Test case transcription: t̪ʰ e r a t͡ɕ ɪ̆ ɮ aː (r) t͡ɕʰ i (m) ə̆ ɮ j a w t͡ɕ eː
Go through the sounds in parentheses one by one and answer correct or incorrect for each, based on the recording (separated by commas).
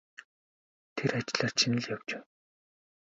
correct, incorrect